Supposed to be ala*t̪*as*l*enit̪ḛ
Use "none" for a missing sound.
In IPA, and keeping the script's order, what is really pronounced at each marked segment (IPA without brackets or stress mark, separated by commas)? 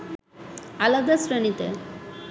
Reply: d̪, ɾ